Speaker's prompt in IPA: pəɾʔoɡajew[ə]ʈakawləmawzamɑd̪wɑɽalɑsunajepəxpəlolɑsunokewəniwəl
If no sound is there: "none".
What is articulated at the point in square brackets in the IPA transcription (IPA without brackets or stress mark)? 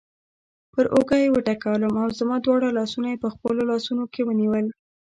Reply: ə